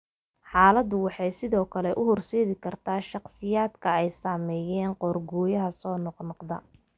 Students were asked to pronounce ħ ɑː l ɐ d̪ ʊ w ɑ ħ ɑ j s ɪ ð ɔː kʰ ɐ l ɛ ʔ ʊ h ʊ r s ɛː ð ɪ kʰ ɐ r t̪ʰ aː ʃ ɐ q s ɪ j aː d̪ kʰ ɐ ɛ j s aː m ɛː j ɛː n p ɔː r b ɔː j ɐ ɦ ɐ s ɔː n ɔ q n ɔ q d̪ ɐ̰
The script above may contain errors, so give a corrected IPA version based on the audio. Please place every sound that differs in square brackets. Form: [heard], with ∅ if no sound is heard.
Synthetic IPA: ħ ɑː l ɐ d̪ ʊ w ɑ ħ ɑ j s ɪ ð ɔː kʰ ɐ l ɛ ʔ ʊ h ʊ r s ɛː ð ɪ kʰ ɐ r t̪ʰ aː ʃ [ɑ] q s ɪ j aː d̪ kʰ ɐ ɛ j s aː m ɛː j ɛː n [q] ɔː r [ɡ] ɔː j ɐ ɦ ɐ s ɔː n ɔ q n ɔ q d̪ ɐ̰